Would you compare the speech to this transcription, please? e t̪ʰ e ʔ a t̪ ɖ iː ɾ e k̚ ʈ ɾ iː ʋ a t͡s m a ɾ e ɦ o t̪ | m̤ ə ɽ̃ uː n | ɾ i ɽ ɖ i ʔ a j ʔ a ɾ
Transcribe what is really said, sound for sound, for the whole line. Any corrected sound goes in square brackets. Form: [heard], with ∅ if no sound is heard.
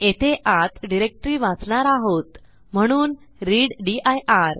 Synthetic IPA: e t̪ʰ e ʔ a t̪ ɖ [i] ɾ e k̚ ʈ ɾ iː ʋ a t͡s [ɳ] a ɾ [a] ɦ o t̪ | m̤ ə ɽ̃ uː n | ɾ i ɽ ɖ i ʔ a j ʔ a ɾ